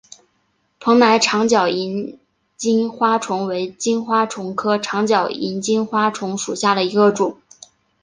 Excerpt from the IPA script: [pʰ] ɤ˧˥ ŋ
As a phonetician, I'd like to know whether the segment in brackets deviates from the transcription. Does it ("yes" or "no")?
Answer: no